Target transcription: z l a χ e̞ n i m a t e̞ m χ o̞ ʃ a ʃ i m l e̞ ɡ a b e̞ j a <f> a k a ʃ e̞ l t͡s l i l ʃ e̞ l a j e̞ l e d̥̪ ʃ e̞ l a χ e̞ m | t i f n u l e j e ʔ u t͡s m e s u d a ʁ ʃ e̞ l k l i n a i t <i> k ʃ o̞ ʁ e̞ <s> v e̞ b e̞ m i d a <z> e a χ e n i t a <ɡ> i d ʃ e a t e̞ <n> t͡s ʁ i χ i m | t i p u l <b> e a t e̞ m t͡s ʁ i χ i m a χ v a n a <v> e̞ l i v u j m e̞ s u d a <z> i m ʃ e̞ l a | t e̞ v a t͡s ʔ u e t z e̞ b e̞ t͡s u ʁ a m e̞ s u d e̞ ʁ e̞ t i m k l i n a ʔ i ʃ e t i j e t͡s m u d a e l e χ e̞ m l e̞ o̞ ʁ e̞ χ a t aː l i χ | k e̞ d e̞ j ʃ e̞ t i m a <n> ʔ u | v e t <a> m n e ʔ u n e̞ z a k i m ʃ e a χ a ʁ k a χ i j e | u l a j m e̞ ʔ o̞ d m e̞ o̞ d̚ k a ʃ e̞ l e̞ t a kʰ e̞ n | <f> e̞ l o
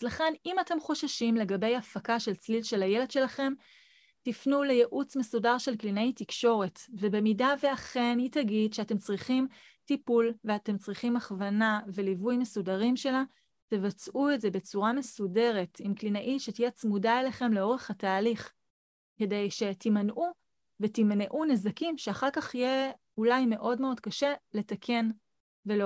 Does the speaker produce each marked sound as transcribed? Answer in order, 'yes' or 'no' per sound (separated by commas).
yes, yes, no, no, yes, no, no, yes, no, yes, no, no